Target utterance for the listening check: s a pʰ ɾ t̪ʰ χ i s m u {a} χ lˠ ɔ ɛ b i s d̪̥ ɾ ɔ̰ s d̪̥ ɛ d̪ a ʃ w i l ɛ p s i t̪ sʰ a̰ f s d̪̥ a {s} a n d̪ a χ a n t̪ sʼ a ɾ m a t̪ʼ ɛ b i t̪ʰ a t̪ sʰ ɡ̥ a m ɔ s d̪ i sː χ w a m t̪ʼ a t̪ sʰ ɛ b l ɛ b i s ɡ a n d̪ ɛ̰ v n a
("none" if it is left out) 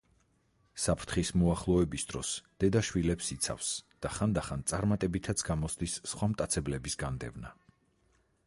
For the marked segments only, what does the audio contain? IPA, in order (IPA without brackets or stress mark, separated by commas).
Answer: a, χ